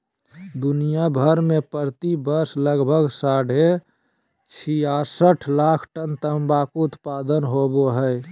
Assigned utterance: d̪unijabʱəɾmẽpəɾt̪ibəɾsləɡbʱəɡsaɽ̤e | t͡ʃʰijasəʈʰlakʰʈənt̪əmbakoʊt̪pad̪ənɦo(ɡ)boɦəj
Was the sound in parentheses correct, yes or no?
no